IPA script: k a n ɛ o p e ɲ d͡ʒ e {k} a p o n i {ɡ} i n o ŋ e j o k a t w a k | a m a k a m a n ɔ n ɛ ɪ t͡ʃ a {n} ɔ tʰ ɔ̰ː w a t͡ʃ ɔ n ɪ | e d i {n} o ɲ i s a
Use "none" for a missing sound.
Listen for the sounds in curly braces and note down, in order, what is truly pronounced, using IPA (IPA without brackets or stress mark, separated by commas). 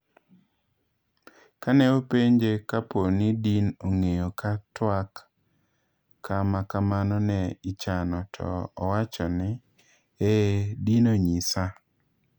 k, d, n, n